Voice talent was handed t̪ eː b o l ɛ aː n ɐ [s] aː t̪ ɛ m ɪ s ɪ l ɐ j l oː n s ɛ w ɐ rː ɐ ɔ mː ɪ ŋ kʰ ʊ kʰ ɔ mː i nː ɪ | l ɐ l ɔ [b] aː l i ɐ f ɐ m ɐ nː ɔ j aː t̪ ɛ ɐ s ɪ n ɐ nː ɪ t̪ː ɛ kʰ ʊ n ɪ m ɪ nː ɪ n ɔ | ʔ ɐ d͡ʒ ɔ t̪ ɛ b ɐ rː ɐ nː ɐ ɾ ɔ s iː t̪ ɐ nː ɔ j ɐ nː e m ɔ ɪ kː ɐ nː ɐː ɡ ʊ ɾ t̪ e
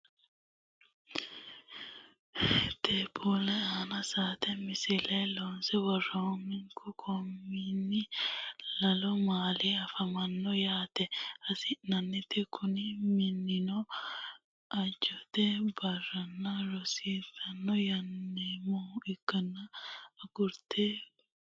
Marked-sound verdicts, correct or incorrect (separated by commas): correct, incorrect